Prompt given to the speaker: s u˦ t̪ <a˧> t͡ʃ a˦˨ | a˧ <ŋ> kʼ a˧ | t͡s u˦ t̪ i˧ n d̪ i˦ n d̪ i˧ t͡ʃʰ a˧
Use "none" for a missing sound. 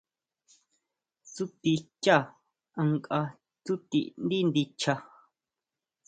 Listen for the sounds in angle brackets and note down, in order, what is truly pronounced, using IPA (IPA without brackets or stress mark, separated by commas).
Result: i˧, ŋ